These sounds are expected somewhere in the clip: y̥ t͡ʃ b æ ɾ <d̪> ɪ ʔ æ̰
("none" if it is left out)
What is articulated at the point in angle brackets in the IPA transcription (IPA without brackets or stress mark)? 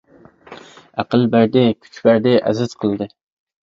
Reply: d̪